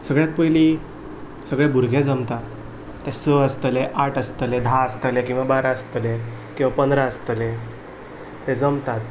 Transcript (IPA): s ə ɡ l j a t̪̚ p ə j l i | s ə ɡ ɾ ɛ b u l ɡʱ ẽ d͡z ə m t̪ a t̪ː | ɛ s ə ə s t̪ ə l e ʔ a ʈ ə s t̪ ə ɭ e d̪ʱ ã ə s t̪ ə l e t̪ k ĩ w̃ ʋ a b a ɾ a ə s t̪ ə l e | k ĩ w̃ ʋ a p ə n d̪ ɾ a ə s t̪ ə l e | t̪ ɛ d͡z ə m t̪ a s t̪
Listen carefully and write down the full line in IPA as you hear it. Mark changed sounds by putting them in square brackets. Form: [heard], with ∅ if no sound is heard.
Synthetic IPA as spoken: s ə ɡ [ɭ] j a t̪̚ p ə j l i | s ə ɡ [ɭ] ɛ b u [ɾ] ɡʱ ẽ d͡z ə m t̪ a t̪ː | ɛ s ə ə s t̪ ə l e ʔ a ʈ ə s t̪ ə [l] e d̪ʱ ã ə s t̪ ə l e [∅] k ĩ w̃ ʋ a b a ɾ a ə s t̪ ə l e | k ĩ w̃ ʋ a p ə n d̪ ɾ a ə s t̪ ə l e | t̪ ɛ d͡z ə m t̪ a [∅] t̪